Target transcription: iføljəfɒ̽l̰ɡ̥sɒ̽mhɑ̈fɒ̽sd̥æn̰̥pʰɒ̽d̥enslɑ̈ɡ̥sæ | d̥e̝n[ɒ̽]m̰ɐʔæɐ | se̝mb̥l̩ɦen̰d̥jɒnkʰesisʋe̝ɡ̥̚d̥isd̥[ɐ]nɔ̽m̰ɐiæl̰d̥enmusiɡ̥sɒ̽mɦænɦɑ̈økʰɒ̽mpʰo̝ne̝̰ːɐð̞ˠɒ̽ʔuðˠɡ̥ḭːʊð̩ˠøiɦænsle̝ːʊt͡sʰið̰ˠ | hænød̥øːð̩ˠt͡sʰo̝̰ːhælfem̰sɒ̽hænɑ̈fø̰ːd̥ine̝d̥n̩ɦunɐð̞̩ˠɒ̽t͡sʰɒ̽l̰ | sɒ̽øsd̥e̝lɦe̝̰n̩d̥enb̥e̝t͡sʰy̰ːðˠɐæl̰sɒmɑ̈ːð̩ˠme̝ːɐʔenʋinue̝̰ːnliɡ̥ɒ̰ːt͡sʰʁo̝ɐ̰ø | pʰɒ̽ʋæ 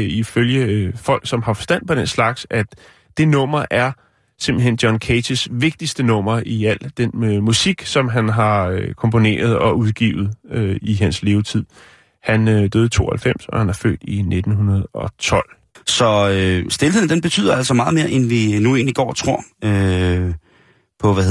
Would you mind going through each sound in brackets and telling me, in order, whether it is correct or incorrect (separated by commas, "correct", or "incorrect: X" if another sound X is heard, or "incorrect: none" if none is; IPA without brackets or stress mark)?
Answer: incorrect: ɔ̽, incorrect: ə